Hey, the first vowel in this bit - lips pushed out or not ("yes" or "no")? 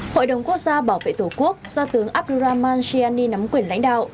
yes